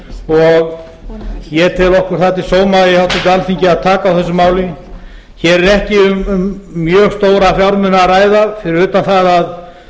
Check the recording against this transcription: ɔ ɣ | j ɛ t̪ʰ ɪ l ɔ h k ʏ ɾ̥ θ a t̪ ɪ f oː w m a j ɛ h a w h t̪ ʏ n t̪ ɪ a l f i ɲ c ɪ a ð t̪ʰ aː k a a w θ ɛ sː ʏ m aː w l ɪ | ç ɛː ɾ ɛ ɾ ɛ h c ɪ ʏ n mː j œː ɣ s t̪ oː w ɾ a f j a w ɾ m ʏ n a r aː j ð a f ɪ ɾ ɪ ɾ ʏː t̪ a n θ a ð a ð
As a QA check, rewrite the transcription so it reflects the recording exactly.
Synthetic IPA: ɔ ɣ | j ɛ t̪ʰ ɪ l ɔ h k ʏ ɾ̥ θ a t̪ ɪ s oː w m a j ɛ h a w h t̪ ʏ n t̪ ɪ a l f i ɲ c ɪ a ð t̪ʰ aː k a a w θ ɛ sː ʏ m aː w l ɪ | ç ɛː ɾ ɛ ɾ ɛ h c ɪ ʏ m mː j œː ɣ s t̪ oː w ɾ a f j a w ɾ m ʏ n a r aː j ð a f ɪ ɾ ɪ ɾ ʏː t̪ a n θ a ð a ð